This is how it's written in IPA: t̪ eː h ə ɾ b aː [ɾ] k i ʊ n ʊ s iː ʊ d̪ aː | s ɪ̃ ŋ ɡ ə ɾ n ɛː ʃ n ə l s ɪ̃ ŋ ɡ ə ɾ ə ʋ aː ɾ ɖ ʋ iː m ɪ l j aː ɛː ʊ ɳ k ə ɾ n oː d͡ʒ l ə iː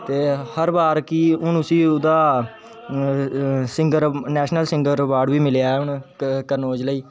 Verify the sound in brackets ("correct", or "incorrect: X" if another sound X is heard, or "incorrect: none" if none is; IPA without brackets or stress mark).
correct